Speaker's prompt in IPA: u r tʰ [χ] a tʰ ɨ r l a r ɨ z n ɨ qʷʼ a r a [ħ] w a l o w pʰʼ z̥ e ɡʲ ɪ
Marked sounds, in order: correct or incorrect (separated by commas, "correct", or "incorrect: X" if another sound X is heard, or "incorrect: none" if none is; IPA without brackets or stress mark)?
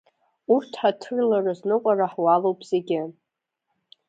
incorrect: ħ, correct